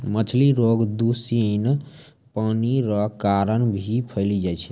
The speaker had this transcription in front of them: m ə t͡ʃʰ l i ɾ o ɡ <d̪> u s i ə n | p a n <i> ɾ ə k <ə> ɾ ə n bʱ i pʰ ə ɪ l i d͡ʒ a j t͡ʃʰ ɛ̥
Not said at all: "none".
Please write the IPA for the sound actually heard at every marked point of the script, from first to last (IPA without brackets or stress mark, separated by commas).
d̪, i, a